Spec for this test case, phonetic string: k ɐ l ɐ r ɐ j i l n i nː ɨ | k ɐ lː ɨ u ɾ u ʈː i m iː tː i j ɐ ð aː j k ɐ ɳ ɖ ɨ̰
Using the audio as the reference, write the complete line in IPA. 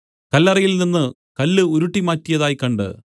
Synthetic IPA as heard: k ɐ lː ɐ r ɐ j i l n i nː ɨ | k ɐ lː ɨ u ɾ u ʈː i m aː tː i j ɐ ð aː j k ɐ ɳ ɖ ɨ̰

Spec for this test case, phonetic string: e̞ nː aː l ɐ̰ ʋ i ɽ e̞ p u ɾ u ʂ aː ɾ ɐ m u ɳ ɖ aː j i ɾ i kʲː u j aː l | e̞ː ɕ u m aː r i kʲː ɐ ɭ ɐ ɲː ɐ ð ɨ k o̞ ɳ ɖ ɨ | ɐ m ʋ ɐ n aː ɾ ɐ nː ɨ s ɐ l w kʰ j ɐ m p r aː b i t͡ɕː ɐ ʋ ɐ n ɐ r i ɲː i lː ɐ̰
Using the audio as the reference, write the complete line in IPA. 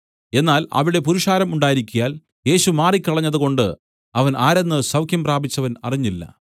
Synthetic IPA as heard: e̞ nː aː l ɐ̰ ʋ i ɽ e̞ p u ɾ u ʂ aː ɾ ɐ m u ɳ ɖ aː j i ɾ i kʲː u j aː l | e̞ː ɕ u m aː r i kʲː ɐ ɭ ɐ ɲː ɐ ð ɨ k o̞ ɳ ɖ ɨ | ɐ ʋ ɐ n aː ɾ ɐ nː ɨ s ɐ w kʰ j ɐ m p r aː b i t͡ɕː ɐ ʋ ɐ n ɐ r i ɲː i lː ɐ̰

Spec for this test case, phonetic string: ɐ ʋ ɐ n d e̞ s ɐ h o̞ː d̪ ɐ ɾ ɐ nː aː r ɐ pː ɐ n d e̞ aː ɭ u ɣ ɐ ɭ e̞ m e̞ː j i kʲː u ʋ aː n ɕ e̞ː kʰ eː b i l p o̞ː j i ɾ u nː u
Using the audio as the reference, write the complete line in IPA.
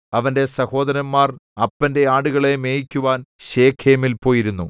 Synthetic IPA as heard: ɐ ʋ ɐ n d e̞ s ɐ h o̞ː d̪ ɐ ɾ ɐ mː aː r ɐ pː ɐ n d e̞ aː ɽ u ɣ ɐ ɭ e̞ m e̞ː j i kʲː u ʋ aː n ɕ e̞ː kʰ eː m i l p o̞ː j i ɾ u nː u

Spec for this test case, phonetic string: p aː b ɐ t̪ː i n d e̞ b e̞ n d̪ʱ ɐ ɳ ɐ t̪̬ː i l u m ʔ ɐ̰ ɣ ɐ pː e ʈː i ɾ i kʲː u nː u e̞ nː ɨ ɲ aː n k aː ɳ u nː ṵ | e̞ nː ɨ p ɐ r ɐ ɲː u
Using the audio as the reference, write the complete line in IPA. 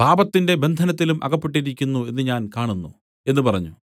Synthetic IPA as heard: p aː b ɐ t̪ː i n d e̞ b e̞ n d̪ʱ ɐ n ɐ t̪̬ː i l u m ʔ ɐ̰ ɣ ɐ pː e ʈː i ɾ i kʲː u nː u e̞ nː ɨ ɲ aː n k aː ɳ u nː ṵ | e̞ nː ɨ p ɐ r ɐ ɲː u

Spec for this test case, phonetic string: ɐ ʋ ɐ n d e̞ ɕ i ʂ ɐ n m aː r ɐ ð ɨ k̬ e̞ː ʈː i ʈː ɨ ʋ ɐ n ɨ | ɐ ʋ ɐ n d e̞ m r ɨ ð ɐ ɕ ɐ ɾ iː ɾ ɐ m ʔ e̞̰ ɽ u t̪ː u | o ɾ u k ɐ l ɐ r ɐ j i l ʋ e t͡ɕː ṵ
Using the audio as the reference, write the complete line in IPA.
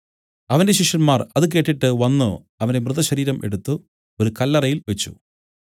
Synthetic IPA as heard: ɐ ʋ ɐ n d e̞ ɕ i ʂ ɐ n m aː r ɐ ð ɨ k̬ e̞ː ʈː i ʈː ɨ ʋ ɐ nː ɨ | ɐ ʋ ɐ n d e̞ m r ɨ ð ɐ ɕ ɐ ɾ iː ɾ ɐ m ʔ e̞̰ ɽ u t̪ː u | o ɾ u k ɐ lː ɐ r ɐ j i l ʋ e t͡ɕː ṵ

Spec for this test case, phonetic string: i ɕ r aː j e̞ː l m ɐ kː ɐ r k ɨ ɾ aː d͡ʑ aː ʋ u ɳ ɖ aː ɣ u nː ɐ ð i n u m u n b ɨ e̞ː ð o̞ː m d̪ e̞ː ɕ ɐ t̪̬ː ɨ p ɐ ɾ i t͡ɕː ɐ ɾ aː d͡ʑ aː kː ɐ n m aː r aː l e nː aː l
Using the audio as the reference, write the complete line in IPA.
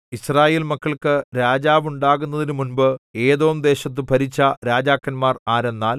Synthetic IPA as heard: i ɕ r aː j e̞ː l m ɐ kː ɐ ɭ k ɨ ɾ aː d͡ʑ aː ʋ u ɳ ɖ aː ɣ u nː ɐ ð i n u m u n b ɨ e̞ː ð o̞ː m d̪ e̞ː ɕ ɐ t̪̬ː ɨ p ɐ ɾ i t͡ɕː ɐ ɾ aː d͡ʑ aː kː ɐ n m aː r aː ɾ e nː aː l

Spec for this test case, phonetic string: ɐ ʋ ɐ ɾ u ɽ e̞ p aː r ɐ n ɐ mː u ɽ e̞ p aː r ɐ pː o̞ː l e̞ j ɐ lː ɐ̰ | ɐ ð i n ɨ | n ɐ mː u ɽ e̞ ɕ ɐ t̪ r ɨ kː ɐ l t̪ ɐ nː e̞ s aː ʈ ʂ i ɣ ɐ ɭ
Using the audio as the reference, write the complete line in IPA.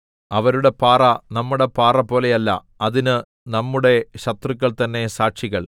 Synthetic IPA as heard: ɐ ʋ ɐ ɾ u ɽ e̞ p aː r ɐ n ɐ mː u ɽ e̞ p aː r ɐ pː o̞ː l e̞ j ɐ lː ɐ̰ | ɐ ð i n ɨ | n ɐ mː u ɽ e̞ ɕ ɐ t̪ r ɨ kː ɐ ɭ t̪ ɐ nː e̞ s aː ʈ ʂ i ɣ ɐ ɭ

